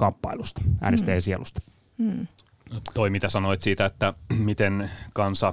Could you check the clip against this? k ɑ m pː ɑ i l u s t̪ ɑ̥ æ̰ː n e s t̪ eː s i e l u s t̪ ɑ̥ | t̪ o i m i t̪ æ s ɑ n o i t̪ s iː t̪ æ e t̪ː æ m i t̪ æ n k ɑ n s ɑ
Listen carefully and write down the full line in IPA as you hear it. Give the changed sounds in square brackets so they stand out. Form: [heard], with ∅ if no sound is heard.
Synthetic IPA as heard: k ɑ m pː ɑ i l u s t̪ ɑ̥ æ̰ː n e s t̪ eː s i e l u s t̪ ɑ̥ | t̪ o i m i t̪ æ s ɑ n o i t̪ s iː t̪ æ e t̪ː æ m i t̪ [e] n k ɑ n s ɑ